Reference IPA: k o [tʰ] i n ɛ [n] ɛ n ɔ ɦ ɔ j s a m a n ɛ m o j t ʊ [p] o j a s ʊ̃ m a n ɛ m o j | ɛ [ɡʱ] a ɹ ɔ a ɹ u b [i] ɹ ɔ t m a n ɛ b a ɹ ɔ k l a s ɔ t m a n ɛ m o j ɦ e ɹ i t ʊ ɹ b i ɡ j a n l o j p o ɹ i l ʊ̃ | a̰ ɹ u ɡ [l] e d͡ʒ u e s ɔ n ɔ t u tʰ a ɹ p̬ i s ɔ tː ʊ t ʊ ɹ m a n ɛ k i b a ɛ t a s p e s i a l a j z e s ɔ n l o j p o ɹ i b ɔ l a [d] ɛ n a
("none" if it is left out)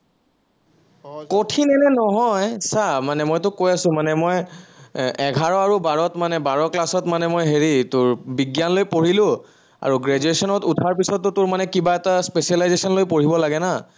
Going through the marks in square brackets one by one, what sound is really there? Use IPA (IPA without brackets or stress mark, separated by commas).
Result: tʰ, n, k, ɡʱ, a, ɹ, ɡ